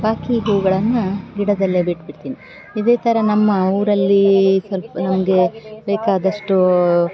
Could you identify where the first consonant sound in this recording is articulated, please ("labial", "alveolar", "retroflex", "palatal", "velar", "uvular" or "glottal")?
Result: labial